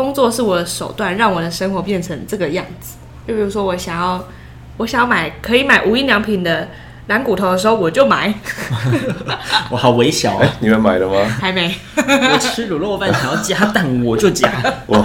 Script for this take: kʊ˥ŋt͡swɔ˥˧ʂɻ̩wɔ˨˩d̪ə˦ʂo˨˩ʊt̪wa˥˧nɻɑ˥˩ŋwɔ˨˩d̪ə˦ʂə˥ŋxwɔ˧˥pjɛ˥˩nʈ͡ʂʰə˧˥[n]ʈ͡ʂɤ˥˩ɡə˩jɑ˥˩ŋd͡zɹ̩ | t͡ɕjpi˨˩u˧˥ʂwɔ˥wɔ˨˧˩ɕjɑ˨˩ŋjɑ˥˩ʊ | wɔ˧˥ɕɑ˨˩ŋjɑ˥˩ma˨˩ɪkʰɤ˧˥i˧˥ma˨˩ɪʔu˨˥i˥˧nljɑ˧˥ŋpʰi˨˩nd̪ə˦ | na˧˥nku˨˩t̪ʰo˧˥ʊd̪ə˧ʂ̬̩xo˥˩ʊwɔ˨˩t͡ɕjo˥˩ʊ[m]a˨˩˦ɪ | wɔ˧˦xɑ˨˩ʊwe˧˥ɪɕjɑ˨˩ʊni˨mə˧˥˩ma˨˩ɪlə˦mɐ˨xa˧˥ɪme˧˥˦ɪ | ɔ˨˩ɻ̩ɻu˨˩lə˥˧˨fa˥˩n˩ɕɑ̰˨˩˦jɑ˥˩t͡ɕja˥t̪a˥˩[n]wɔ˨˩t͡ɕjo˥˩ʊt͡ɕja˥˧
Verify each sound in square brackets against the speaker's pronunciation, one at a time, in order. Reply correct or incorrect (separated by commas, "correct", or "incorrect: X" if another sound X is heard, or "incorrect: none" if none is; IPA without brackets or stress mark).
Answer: incorrect: ŋ, correct, correct